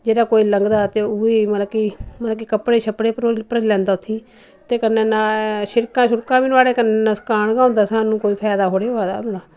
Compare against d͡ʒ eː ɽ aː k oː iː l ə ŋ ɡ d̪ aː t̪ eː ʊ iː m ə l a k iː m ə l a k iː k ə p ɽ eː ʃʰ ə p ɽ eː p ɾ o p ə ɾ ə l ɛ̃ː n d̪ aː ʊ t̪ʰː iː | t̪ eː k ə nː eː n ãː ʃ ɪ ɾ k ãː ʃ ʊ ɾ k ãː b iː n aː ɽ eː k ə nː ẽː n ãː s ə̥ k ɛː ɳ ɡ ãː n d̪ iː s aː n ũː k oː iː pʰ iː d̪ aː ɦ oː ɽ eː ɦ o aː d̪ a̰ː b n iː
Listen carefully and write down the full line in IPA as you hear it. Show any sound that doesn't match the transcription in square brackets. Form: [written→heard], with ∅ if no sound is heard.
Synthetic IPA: d͡ʒ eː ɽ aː k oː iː l ə ŋ ɡ d̪ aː t̪ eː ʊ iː m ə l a k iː m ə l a k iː k ə p ɽ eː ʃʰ ə p ɽ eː p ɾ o p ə ɾ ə l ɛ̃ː n d̪ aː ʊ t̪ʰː iː | t̪ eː k ə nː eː n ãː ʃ ɪ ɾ k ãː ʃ ʊ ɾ k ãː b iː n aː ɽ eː k ə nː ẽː n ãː s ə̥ k [ɛː→aː] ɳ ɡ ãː n d̪ [iː→aː] s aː n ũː k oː iː pʰ [iː→ɛː] d̪ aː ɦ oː ɽ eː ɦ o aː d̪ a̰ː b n [iː→aː]